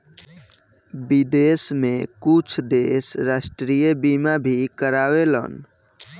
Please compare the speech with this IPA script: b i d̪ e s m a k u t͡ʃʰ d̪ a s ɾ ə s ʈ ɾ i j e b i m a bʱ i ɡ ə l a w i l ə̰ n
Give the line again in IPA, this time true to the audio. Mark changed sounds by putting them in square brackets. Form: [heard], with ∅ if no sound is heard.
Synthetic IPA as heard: b i d̪ e s m [e] k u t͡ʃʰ d̪ [e] s ɾ [a] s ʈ ɾ i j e b i m a bʱ i [k] ə [ɾ] a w [e] l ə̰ n